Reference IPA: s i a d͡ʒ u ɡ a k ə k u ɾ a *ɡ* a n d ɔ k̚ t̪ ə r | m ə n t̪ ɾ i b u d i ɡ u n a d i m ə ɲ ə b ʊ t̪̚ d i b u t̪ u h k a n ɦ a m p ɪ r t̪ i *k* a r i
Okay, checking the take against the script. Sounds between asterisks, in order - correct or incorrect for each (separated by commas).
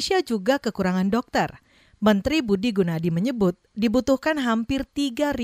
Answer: incorrect, incorrect